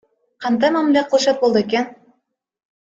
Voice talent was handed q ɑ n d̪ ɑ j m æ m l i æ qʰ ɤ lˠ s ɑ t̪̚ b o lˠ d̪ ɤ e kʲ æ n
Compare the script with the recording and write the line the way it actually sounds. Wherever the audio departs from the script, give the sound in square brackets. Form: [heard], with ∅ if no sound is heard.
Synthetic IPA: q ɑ n d̪ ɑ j m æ m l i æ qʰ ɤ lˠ [ʃ] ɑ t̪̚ b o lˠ d̪ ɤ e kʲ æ n